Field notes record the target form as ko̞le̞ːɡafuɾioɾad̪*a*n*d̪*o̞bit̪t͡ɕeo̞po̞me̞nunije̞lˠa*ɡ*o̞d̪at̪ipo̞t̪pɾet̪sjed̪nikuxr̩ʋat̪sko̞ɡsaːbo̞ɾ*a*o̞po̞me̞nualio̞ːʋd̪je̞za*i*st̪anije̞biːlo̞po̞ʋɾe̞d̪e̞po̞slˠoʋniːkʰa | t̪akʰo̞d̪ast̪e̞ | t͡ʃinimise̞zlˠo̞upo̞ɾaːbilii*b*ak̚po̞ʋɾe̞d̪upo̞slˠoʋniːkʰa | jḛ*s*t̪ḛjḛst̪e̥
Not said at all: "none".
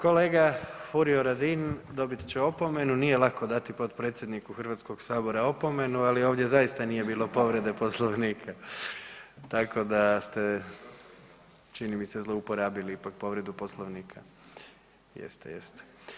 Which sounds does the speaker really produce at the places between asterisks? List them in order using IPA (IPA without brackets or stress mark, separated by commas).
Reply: i, d̪, k, a, i, p, s